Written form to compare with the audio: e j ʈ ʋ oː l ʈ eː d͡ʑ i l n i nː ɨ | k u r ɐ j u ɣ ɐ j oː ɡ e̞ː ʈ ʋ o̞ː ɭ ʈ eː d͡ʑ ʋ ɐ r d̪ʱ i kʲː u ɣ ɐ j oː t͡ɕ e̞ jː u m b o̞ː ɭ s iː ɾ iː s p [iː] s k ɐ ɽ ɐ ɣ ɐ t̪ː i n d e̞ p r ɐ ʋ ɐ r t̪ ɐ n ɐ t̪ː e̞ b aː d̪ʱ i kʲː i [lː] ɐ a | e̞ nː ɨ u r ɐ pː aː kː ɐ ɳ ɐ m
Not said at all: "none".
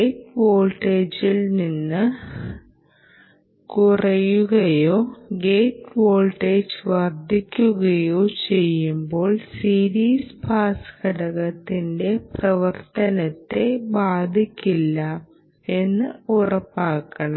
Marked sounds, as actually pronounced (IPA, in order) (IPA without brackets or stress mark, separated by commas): aː, lː